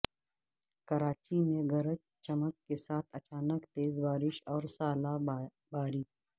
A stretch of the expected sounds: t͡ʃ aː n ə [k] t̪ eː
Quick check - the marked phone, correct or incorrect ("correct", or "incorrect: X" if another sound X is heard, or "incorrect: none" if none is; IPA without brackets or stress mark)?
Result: correct